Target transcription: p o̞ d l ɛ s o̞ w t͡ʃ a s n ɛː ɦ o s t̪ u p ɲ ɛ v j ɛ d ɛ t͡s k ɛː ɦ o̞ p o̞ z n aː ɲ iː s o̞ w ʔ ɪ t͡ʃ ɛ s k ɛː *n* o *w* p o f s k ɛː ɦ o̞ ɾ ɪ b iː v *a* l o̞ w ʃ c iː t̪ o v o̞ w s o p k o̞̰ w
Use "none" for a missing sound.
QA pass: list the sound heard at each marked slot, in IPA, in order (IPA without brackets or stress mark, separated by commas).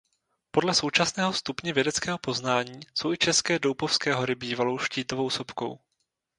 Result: d, w, a